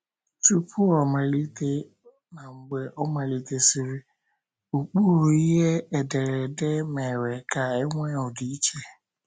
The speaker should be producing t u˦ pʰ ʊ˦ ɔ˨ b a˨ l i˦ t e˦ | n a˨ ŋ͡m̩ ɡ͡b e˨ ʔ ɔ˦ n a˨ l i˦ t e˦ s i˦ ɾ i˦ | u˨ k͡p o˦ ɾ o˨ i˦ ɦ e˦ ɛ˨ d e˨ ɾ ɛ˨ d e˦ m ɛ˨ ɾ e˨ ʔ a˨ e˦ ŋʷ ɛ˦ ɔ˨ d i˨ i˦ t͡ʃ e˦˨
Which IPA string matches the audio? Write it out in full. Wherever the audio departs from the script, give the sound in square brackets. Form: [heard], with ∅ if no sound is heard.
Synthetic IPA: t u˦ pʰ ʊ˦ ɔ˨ [m] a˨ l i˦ t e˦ | n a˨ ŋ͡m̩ ɡ͡b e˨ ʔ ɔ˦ [m] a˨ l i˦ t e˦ s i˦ ɾ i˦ | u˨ k͡p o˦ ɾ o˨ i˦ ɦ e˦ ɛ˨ d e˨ ɾ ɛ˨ d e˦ m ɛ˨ ɾ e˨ [k] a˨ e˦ ŋʷ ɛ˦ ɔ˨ d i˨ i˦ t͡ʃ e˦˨